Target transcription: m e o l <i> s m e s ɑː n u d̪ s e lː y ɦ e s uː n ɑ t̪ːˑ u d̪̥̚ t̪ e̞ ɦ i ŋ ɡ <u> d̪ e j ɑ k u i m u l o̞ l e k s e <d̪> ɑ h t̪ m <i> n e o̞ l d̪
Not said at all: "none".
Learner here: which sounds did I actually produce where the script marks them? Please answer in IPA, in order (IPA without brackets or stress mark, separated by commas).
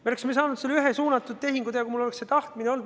e, u, t̪, i